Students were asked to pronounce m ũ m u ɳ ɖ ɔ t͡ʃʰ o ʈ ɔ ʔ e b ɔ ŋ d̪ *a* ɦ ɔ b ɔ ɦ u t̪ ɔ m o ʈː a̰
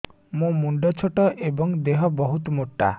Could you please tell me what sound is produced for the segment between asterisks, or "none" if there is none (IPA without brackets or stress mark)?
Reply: e